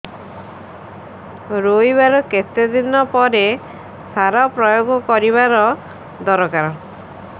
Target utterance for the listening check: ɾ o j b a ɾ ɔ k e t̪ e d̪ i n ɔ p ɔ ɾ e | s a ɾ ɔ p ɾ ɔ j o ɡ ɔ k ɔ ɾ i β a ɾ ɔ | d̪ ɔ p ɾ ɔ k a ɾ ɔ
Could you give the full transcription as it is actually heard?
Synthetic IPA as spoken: ɾ o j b a ɾ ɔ k e t̪ e d̪ i n ɔ p ɔ ɾ e | s a ɾ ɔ p ɾ ɔ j o ɡ ɔ k ɔ ɾ i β a ɾ ɔ | d̪ ɔ ɾ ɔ k a ɾ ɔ

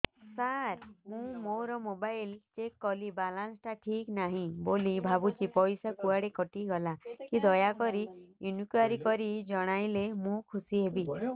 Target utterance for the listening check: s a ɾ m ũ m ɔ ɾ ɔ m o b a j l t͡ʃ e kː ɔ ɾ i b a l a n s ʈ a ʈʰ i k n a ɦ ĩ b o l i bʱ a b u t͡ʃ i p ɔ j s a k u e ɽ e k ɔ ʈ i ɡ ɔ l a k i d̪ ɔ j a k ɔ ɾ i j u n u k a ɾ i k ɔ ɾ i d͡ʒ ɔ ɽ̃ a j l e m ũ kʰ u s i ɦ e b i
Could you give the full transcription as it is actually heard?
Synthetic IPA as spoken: s a ɾ m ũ m o ɾ ɔ m o b a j l t͡ʃ e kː ɔ l i b a l a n s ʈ a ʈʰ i k n a ɦ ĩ b o l i bʱ a b u t͡ʃ i p ɔ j s a k u a ɽ e k ɔ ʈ i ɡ ɔ l a k i d̪ ɔ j a k ɔ ɾ i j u n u k a ɾ i k ɔ ɾ i d͡ʒ ɔ ɽ̃ a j l e m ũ kʰ u s i ɦ e b i

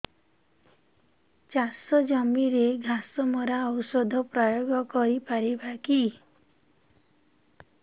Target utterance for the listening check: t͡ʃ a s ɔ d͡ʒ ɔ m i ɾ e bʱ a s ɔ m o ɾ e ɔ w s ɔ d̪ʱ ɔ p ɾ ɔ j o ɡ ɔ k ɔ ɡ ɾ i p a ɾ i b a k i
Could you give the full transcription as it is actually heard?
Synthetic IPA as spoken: t͡ʃ a s ɔ d͡ʒ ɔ m i ɾ e ɡʱ a s ɔ m ɔ ɾ a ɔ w s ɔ d̪ʱ ɔ p ɾ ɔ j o ɡ ɔ k ɔ ɾ i p a ɾ i b a k i

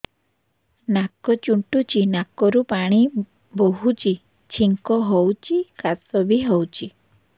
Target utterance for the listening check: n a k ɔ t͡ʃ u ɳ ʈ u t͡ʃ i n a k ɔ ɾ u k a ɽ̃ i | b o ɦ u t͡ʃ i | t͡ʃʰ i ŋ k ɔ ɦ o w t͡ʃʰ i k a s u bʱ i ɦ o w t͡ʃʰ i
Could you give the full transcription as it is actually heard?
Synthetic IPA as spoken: n a k ɔ t͡ʃ u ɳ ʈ u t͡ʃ i n a k ɔ ɾ u p a ɽ̃ i | b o ɦ u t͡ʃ i | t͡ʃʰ i ŋ k ɔ ɦ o w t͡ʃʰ i k a s ɔ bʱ i ɦ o w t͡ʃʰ i

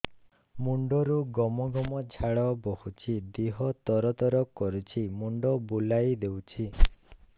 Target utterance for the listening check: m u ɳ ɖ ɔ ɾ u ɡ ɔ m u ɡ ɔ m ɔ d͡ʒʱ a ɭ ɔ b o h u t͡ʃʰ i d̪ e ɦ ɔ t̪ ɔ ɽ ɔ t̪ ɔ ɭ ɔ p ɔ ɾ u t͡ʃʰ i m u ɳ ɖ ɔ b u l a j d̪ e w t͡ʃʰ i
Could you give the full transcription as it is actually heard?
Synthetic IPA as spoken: m u ɳ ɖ ɔ ɾ u ɡ ɔ m ɔ ɡ ɔ m ɔ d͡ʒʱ a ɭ ɔ b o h u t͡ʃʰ i d̪ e ɦ ɔ t̪ ɔ ɾ ɔ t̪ ɔ ɾ ɔ k ɔ ɾ u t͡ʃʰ i m u ɳ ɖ ɔ b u l a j d̪ e w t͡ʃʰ i

